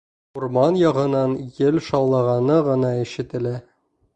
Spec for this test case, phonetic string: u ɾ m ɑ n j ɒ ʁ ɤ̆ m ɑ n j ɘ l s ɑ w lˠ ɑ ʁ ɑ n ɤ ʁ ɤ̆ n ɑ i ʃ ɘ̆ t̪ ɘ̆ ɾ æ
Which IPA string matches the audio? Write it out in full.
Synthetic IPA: u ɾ m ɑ n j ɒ ʁ ɤ̆ n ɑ n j ɘ l ʃ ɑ w lˠ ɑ ʁ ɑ n ɤ ʁ ɤ̆ n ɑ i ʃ ɘ̆ t̪ ɘ̆ l æ